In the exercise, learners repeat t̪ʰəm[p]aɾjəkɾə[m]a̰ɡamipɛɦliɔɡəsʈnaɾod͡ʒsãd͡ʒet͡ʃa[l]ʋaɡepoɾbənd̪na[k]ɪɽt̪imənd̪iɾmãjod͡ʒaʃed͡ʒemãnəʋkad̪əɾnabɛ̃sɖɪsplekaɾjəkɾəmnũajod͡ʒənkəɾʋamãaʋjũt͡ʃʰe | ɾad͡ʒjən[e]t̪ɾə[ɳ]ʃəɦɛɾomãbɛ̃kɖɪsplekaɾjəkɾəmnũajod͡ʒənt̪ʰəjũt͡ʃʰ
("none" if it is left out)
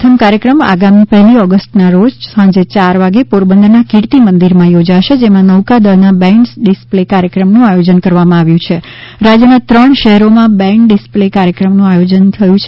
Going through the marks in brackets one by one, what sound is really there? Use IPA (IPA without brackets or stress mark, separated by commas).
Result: k, m, ɾ, k, a, ɳ